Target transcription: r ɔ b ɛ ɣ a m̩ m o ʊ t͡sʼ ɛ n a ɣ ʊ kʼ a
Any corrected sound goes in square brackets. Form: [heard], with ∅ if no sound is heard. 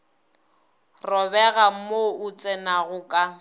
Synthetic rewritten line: r ɔ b ɛ ɣ a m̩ m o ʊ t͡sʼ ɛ n a ɣ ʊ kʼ a